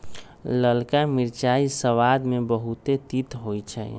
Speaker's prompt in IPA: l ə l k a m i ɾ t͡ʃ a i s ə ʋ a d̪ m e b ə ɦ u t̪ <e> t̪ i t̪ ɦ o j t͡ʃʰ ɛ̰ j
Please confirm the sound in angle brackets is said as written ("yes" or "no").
yes